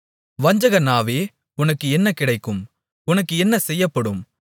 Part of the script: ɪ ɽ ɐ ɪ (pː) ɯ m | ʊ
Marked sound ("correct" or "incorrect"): incorrect